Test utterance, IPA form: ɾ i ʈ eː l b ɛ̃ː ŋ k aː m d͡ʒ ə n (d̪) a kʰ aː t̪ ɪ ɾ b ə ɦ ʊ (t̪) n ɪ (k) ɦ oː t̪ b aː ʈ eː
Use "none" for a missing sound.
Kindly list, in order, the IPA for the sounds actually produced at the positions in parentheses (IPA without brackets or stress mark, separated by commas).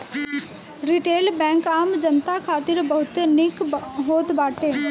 t̪, t̪, k